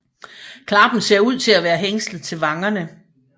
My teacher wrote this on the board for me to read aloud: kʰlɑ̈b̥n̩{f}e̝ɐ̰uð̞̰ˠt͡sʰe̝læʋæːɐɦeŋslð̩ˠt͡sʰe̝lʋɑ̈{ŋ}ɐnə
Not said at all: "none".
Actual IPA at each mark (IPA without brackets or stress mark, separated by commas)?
s, ŋ